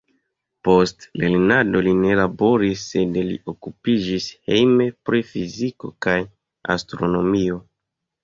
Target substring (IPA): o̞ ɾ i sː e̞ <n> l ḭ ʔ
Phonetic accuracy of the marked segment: incorrect: d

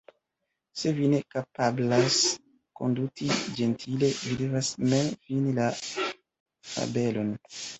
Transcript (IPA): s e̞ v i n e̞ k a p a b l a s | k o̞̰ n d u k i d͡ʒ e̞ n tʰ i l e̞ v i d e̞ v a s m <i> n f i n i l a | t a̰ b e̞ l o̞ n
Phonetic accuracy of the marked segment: incorrect: e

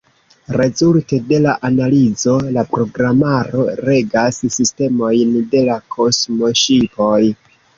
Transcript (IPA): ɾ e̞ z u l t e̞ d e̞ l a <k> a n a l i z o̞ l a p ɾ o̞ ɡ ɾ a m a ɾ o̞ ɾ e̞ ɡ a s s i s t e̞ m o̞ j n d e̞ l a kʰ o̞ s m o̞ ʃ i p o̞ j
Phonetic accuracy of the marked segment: incorrect: ʔ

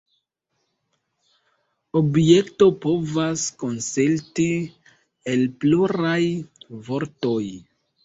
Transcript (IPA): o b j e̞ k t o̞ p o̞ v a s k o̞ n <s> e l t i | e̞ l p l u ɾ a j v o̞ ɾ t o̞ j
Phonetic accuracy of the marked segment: correct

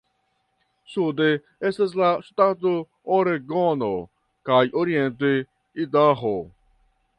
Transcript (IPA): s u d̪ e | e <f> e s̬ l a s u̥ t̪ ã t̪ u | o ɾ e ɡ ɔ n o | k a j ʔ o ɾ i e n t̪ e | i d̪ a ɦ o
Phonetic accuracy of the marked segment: incorrect: s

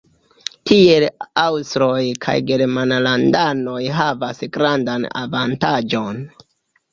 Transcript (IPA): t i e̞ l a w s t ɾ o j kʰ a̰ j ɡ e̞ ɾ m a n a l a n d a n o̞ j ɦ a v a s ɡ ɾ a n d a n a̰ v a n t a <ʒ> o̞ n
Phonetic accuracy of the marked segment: incorrect: d͡ʒ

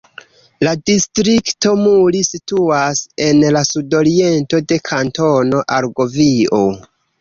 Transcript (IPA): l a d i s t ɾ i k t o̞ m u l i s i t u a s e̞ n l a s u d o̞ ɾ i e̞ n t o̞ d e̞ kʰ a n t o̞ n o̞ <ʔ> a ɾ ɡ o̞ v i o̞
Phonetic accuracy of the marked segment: correct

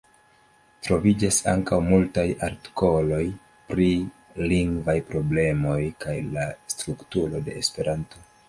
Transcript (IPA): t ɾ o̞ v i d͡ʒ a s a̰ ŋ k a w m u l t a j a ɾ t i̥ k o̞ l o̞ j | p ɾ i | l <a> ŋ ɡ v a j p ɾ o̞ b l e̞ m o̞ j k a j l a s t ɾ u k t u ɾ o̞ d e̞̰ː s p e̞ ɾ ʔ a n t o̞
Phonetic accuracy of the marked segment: incorrect: i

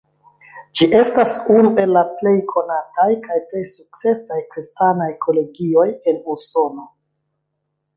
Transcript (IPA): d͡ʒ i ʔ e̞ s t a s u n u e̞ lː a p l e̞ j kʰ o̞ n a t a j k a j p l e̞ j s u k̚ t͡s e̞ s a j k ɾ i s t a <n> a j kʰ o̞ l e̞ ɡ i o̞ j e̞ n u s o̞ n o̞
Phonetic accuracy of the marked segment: correct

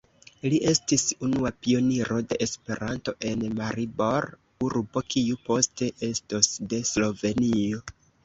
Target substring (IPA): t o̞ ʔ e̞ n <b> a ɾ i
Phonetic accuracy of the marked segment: incorrect: m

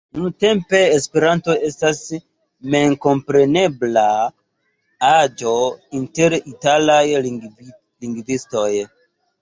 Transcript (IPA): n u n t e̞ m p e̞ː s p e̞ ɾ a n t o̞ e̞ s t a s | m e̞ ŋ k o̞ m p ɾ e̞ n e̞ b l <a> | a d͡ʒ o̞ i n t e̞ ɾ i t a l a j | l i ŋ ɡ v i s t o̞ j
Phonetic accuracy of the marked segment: correct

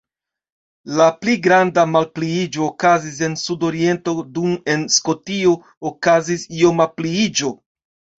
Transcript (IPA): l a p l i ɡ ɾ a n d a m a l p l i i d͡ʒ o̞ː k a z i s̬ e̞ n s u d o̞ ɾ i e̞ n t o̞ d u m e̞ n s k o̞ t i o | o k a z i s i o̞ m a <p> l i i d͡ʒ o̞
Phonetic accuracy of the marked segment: correct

